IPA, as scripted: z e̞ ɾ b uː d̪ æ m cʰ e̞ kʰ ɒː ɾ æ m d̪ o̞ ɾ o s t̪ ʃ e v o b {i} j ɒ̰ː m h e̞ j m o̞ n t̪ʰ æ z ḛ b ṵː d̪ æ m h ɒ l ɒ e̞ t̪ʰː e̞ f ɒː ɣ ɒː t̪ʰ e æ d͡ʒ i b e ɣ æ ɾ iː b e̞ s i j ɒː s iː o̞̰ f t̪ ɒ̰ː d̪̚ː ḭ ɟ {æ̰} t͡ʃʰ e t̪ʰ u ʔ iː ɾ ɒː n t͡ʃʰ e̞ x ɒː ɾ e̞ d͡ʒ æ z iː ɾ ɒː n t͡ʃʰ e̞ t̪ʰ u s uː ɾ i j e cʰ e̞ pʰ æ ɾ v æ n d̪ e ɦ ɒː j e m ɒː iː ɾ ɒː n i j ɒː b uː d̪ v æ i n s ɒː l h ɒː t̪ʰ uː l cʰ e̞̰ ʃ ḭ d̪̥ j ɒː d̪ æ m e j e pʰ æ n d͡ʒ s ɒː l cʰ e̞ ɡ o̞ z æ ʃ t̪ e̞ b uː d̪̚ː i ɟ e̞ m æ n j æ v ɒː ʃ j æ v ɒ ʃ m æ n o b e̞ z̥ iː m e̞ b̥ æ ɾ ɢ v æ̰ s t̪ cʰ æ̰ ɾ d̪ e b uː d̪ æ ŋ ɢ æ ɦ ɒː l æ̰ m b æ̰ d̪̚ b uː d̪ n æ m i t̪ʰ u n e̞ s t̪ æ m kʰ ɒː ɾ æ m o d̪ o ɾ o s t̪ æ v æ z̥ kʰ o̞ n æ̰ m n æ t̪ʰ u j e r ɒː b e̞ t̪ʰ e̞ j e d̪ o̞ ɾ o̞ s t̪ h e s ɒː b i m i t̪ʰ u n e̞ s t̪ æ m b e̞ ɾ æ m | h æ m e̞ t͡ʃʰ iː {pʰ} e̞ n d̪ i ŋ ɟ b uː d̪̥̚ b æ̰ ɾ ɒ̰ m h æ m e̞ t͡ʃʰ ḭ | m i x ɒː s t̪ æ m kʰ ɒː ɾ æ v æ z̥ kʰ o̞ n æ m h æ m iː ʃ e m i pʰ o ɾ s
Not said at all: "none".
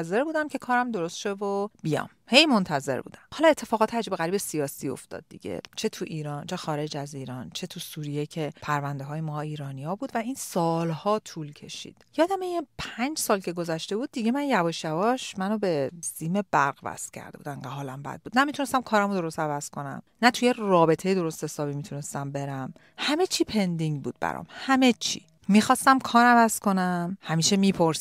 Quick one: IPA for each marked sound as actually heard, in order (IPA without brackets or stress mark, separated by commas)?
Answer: i, ḛ, pʰ